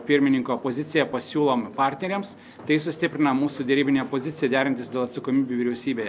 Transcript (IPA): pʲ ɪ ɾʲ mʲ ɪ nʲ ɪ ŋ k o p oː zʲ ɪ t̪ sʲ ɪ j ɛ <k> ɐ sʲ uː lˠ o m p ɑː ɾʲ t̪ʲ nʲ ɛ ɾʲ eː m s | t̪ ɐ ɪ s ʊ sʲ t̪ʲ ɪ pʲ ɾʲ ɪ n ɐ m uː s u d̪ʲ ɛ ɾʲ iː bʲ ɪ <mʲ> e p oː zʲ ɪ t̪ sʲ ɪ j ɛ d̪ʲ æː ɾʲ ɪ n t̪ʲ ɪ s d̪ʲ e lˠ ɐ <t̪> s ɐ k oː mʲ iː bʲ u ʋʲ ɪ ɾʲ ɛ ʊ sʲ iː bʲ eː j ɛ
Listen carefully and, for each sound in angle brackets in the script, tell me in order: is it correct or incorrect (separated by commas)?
incorrect, incorrect, correct